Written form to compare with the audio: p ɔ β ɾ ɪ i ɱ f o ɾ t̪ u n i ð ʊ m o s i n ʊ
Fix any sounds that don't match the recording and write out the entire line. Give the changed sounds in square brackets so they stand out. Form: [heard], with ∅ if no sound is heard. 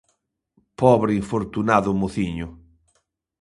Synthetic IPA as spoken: p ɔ β ɾ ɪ i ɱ f o ɾ t̪ u n [a] ð ʊ m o [θ] i [ɲ] ʊ